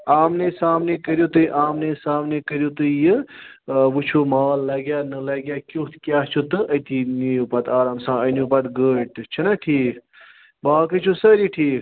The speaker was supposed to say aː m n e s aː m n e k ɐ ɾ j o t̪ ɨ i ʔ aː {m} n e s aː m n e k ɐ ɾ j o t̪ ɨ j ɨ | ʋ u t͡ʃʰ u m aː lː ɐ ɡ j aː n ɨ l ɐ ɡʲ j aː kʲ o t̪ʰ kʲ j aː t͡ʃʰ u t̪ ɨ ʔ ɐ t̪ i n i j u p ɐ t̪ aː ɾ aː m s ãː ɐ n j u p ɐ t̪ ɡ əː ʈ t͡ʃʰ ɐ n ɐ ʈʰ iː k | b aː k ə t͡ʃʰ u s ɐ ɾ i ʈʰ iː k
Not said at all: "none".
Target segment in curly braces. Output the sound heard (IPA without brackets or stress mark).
m